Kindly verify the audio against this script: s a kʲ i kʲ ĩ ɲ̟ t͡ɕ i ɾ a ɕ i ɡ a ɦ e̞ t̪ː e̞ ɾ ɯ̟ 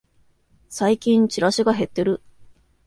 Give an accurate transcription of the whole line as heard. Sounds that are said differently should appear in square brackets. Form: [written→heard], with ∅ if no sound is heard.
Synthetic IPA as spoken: s a [kʲ→∅] i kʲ ĩ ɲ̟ t͡ɕ i ɾ a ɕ i ɡ a ɦ e̞ t̪ː e̞ ɾ ɯ̟